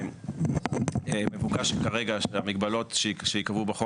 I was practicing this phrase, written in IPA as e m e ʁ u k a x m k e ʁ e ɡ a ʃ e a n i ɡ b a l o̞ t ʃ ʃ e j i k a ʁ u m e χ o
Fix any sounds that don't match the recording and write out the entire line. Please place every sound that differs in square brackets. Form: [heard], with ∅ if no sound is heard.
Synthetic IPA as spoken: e m e [v] u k a [ʃ] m k [a] ʁ e ɡ a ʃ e a [m] i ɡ b a l o̞ t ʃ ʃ e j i k a [v] u [b] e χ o